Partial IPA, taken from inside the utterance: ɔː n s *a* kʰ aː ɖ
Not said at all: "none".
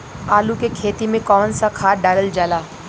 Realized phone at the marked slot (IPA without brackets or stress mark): a